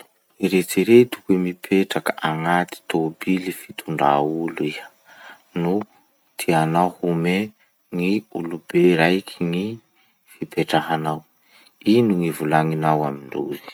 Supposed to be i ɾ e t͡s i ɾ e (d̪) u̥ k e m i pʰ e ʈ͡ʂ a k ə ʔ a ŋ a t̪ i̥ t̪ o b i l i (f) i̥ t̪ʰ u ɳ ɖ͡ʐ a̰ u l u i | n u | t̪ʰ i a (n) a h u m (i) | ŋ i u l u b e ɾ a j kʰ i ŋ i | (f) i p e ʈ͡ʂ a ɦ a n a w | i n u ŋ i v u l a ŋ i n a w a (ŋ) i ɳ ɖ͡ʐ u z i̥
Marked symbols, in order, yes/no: no, yes, yes, no, yes, no

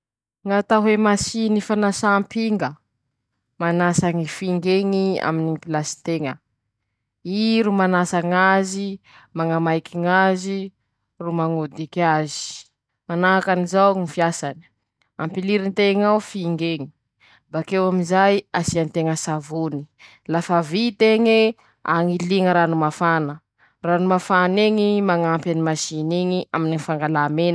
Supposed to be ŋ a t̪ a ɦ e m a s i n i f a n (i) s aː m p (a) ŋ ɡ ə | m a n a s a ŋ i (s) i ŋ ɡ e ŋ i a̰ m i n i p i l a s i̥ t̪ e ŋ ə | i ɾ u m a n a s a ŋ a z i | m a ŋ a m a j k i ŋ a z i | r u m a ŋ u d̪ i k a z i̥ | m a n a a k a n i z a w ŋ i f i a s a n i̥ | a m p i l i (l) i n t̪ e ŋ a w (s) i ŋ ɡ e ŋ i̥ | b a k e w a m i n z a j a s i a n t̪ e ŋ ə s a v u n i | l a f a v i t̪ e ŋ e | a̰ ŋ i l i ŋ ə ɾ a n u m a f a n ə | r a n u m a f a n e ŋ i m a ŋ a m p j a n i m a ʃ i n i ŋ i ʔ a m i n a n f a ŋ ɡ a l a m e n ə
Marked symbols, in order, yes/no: no, no, no, no, no

